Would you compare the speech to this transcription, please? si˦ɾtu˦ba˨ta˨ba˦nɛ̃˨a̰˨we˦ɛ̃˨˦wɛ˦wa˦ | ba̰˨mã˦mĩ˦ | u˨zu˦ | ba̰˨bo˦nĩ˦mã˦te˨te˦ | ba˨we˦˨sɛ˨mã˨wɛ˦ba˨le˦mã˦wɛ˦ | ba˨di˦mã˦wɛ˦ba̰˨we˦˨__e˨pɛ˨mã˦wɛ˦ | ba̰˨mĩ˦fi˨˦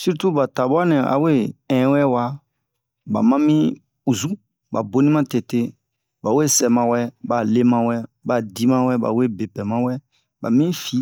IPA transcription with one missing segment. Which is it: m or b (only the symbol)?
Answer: b